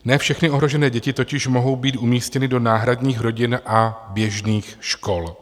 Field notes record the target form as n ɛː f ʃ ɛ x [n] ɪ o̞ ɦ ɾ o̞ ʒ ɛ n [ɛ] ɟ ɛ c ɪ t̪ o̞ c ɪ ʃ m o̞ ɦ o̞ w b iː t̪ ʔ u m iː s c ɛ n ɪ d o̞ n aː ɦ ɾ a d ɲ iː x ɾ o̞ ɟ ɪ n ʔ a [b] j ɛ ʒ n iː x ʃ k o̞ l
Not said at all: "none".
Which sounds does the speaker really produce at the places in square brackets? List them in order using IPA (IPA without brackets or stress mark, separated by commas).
n, ɛː, b